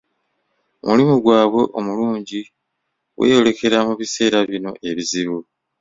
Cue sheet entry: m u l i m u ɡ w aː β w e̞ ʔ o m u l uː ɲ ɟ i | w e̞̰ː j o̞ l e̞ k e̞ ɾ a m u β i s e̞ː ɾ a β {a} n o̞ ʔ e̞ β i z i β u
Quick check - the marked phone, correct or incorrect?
incorrect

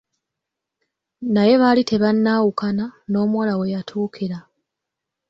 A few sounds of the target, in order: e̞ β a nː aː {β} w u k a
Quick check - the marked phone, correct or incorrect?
incorrect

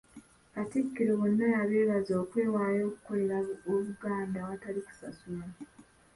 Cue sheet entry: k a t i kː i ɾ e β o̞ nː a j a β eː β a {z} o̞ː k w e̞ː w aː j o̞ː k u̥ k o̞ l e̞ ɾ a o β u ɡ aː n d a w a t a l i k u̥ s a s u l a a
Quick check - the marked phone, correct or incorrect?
correct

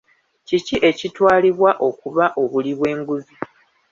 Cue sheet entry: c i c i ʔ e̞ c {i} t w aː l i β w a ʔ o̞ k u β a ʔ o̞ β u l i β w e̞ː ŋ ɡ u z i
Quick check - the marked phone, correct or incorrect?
correct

